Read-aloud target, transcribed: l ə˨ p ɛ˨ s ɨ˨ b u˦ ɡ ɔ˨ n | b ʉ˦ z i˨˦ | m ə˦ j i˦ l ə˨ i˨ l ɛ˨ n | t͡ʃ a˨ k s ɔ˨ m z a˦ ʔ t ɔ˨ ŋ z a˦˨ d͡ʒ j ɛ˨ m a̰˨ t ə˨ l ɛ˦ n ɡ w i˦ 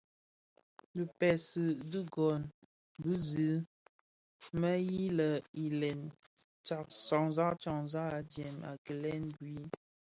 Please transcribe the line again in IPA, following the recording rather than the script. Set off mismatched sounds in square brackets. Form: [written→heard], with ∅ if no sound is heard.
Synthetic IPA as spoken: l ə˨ p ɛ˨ s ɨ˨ [b→d] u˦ ɡ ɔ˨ n | b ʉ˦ z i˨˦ | m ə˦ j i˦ l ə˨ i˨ l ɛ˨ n | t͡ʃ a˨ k s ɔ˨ [m→ŋ] z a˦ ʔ [t→t͡ʃ] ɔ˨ ŋ z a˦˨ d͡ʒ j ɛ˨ m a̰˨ [t→k] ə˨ l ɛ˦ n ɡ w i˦